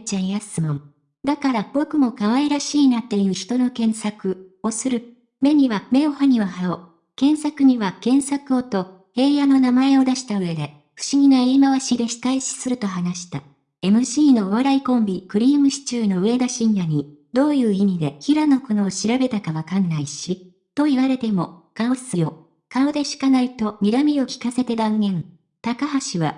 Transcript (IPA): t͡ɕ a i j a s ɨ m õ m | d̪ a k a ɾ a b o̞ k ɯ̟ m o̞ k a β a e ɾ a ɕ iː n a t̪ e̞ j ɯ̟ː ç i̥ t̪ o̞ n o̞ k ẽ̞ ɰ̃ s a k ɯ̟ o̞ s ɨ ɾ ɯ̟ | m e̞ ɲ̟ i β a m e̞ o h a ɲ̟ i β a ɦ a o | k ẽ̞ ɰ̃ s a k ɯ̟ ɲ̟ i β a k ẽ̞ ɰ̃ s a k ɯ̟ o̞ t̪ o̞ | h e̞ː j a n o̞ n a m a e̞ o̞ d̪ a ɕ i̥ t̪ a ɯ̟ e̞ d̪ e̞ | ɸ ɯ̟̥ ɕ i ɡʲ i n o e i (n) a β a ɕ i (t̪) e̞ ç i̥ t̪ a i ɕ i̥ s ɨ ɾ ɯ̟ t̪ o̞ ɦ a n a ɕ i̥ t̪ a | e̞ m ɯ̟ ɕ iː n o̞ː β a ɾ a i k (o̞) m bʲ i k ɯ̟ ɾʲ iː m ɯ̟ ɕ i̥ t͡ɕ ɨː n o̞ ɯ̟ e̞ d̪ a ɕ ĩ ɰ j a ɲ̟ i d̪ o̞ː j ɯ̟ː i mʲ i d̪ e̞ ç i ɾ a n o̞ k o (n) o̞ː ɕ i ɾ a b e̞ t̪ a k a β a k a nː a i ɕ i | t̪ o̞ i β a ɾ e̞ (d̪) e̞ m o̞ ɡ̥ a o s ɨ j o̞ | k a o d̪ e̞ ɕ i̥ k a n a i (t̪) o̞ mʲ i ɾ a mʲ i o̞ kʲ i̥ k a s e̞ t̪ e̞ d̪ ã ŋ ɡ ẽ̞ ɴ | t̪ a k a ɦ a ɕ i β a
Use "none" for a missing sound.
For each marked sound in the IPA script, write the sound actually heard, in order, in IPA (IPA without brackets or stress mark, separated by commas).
m, d̪, õ̞, n, t̪, t̪